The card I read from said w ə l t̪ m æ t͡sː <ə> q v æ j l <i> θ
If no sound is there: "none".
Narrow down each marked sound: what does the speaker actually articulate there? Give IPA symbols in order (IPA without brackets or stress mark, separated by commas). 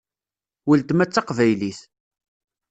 ɑ, i